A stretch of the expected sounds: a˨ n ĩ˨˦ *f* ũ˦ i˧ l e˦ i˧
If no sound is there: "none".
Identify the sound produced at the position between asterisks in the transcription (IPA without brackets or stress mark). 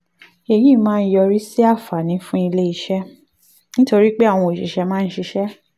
f